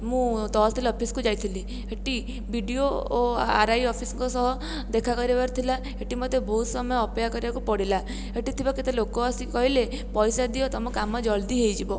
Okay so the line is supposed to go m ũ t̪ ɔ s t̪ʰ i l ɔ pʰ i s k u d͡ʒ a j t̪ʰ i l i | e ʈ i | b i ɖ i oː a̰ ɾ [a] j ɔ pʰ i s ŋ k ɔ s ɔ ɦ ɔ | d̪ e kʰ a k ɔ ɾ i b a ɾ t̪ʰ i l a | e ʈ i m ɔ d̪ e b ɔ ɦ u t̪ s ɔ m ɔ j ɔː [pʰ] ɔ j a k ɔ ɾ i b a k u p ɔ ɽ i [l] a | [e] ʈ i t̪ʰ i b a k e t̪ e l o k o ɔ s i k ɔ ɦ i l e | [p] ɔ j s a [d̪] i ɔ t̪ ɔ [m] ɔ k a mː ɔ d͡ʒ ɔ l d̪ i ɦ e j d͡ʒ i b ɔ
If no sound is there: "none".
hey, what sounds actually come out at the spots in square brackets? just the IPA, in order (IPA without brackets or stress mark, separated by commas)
a, p, l, e, p, d̪, m